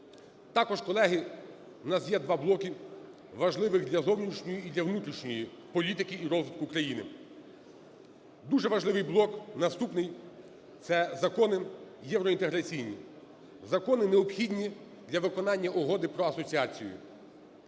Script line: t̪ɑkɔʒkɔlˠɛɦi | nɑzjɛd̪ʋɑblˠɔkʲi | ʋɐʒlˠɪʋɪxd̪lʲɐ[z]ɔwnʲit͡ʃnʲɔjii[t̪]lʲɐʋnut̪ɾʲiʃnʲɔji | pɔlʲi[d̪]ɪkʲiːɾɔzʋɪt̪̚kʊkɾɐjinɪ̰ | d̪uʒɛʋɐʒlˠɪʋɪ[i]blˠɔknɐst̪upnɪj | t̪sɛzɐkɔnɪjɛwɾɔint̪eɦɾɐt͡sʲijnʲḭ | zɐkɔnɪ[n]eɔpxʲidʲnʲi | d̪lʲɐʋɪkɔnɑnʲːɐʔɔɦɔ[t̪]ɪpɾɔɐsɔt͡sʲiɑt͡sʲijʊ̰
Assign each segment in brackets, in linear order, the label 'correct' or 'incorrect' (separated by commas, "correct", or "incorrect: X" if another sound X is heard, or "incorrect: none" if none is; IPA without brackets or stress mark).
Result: correct, incorrect: d̪, incorrect: t̪, incorrect: j, correct, incorrect: d̪